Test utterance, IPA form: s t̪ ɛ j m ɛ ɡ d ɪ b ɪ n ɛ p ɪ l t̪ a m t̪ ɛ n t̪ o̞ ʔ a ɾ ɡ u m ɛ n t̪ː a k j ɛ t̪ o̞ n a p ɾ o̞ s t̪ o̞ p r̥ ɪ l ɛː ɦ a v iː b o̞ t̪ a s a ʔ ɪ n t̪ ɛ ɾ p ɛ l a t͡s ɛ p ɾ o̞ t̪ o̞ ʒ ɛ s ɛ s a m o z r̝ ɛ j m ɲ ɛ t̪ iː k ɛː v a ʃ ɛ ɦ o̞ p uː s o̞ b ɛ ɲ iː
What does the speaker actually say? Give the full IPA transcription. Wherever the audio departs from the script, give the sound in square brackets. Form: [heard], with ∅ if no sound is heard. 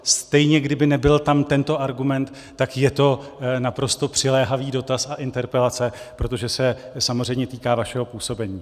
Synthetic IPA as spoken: s t̪ ɛ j [ɲ] ɛ ɡ d ɪ b ɪ n ɛ [b] ɪ l t̪ a m t̪ ɛ n t̪ o̞ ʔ a ɾ ɡ u m ɛ n t̪ː a k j ɛ t̪ o̞ n a p ɾ o̞ s t̪ o̞ p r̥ ɪ l ɛː ɦ a v iː [d] o̞ t̪ a s a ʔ ɪ n t̪ ɛ ɾ p ɛ l a t͡s ɛ p ɾ o̞ t̪ o̞ ʒ ɛ s ɛ s a m o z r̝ ɛ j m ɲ ɛ t̪ iː k [aː] v a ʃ ɛ ɦ o̞ p uː s o̞ b ɛ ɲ iː